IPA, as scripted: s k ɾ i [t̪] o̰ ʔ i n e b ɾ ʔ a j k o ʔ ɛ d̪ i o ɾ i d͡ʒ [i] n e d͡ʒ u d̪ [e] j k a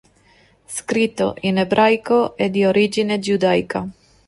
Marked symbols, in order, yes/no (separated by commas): yes, yes, no